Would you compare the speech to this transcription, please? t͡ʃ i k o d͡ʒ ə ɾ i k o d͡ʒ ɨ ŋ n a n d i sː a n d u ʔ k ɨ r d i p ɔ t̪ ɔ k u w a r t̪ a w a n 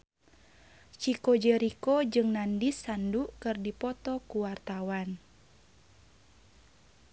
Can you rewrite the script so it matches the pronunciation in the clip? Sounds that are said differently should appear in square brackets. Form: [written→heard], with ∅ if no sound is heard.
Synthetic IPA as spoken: t͡ʃ i k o d͡ʒ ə ɾ i k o d͡ʒ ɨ ŋ n a n d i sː a n d u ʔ k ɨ r d i p ɔ t̪ ɔ k u w a r t̪ a w a n